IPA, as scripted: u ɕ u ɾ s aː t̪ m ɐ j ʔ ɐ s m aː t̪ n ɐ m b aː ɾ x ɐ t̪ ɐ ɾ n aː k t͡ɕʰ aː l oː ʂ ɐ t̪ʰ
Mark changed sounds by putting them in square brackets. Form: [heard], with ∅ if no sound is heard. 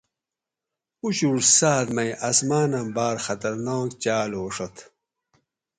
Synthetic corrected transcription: u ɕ u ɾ s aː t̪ m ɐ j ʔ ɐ s m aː [∅] n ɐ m b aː ɾ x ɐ t̪ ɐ ɾ n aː k [t͡ɕ] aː l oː ʂ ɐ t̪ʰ